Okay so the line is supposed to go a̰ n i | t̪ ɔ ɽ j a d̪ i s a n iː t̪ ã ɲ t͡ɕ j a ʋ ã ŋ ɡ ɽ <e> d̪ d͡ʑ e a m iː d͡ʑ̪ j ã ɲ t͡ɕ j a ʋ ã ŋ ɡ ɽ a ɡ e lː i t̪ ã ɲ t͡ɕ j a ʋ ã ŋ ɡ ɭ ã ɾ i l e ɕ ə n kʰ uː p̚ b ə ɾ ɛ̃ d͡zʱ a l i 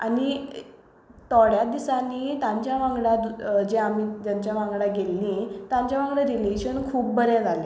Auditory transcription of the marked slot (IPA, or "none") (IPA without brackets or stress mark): a